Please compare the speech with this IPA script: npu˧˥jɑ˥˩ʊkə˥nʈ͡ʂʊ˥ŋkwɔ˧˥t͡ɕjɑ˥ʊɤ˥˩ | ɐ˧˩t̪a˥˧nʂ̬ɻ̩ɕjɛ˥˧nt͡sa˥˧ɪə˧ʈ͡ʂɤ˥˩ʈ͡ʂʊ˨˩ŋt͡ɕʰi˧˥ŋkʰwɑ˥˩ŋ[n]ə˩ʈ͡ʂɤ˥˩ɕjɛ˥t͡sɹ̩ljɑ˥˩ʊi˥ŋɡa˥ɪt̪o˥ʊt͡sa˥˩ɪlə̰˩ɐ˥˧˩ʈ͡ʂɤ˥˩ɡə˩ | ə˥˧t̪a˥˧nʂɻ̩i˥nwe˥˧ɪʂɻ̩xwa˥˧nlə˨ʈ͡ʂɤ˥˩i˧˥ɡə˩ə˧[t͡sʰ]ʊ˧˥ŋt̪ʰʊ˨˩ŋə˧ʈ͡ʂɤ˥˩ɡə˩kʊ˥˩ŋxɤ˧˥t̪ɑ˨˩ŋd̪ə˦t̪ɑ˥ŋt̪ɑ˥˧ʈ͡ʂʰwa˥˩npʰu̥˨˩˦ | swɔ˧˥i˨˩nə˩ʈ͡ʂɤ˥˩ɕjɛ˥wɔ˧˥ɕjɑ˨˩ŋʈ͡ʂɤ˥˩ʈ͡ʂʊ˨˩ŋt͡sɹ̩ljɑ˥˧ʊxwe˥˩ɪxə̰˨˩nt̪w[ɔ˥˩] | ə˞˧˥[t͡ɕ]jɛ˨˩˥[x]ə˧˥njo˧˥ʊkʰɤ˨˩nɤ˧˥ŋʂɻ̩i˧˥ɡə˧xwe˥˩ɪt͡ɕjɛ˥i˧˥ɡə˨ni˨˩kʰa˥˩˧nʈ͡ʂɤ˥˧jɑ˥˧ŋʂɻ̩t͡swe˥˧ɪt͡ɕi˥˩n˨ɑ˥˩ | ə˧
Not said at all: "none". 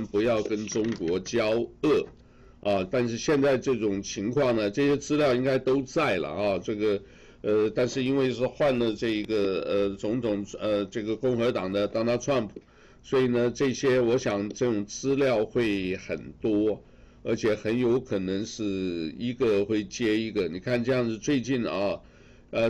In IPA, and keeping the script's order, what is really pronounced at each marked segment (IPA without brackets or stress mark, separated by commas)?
n, t͡s, ɔ˥, t͡ɕʰ, x